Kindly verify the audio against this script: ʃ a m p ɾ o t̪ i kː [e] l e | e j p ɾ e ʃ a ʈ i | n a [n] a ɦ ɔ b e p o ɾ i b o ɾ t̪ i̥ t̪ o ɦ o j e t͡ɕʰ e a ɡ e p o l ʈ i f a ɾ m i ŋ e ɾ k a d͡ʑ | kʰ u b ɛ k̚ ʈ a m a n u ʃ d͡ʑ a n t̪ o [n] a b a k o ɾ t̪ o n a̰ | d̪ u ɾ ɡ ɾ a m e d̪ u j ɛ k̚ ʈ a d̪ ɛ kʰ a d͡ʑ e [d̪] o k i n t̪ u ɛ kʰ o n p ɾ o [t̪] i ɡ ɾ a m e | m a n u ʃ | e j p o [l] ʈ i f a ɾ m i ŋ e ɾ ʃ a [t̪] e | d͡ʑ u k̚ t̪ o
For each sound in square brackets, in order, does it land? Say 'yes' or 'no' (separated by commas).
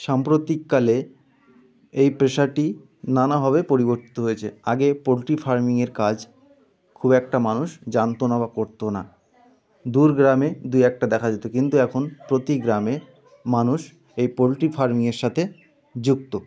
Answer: no, yes, yes, no, yes, yes, no